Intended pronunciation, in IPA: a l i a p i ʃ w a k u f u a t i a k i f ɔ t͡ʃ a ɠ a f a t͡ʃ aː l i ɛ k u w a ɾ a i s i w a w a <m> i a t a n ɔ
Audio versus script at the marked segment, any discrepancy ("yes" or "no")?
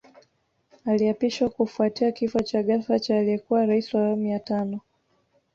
no